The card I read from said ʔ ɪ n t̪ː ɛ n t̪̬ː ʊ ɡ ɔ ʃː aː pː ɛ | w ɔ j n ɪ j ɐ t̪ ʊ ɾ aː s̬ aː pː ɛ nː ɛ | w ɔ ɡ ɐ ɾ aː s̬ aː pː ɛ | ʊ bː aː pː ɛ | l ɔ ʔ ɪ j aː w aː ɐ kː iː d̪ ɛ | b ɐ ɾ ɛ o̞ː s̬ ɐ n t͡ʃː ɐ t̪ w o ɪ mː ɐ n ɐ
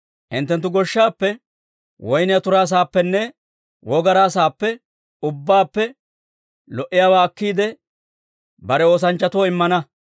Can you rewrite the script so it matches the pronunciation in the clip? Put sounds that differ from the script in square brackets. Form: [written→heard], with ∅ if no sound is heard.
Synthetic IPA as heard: ʔ ɪ n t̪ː ɛ n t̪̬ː ʊ ɡ ɔ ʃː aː pː ɛ | w ɔ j n ɪ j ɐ t̪ ʊ ɾ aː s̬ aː pː ɛ nː ɛ | w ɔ ɡ ɐ ɾ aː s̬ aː pː ɛ | ʊ bː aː pː ɛ | l ɔ ʔ ɪ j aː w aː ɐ kː iː d̪ ɛ | b ɐ ɾ ɛ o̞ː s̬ ɐ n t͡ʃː ɐ t̪ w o ɪ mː ɐ n ɐ